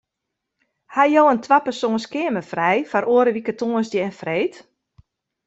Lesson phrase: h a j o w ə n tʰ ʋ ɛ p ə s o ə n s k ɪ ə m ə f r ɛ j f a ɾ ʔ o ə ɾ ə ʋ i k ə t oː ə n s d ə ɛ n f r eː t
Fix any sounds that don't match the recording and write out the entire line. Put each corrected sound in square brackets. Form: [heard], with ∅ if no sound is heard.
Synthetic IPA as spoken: h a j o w ə n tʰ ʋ [a] p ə s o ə n s k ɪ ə m ə f r ɛ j f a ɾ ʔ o ə ɾ ə ʋ i k ə t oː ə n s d ə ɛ n f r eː t

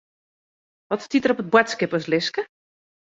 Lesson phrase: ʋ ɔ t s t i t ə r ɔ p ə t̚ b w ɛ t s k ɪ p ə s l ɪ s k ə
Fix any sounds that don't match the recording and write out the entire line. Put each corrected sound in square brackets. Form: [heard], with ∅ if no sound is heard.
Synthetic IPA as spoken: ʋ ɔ t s t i t ə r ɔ p ə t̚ b w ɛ t s k ɪ p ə s l ɪ s k ə

